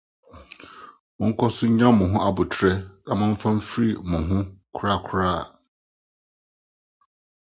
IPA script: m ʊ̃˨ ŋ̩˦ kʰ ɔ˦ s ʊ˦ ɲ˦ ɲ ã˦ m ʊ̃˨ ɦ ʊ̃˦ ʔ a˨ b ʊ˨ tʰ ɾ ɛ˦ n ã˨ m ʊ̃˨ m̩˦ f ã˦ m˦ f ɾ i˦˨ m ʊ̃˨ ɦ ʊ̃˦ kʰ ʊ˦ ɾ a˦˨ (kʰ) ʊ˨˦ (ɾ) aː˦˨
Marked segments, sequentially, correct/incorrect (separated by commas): correct, correct